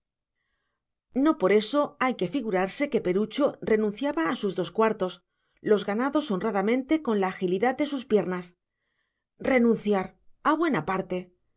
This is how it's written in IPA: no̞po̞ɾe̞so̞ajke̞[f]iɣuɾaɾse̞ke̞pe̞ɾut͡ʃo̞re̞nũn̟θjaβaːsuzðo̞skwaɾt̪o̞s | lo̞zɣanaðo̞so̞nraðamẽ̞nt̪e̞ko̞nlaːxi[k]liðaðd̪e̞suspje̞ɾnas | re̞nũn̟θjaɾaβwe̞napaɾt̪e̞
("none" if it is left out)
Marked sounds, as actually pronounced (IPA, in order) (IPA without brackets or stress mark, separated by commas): f, none